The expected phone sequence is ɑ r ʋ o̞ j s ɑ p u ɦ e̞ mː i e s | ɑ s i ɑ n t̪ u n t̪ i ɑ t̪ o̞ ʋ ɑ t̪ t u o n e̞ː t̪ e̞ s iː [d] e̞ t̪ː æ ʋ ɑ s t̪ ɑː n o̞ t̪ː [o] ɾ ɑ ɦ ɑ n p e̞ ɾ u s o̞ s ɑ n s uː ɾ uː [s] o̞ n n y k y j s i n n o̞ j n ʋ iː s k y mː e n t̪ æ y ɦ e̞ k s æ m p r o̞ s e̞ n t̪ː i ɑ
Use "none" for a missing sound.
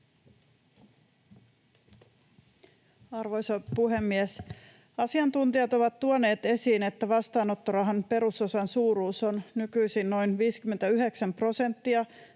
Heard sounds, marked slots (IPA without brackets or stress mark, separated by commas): n, o, s